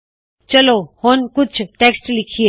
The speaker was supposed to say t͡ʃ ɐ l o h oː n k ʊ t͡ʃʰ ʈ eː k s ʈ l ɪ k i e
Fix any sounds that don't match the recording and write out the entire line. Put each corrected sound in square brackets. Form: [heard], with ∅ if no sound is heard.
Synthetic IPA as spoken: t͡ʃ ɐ l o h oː n k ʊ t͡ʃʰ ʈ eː k s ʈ l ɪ [kʰ] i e